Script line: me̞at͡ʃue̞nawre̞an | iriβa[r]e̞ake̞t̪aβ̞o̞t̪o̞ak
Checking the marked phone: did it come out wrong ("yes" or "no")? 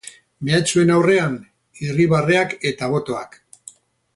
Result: no